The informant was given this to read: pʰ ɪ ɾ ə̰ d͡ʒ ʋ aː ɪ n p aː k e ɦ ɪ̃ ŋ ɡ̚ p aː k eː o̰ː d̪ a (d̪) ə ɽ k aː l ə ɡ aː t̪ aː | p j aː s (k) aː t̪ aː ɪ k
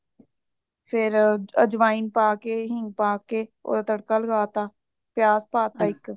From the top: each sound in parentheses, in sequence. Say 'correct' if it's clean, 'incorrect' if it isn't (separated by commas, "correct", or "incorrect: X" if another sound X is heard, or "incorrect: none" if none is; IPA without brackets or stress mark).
incorrect: t̪, incorrect: p